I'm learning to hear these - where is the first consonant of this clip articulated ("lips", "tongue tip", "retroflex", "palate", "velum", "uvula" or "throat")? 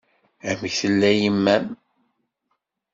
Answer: lips